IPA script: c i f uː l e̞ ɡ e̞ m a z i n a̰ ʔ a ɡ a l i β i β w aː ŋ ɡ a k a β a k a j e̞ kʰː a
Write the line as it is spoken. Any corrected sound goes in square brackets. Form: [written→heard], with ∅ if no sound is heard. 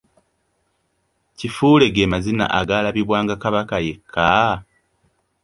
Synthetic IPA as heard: c i f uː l e̞ ɡ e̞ m a z i n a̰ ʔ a ɡ a l [i→a] β i β w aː ŋ ɡ a k a β a k a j e̞ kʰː a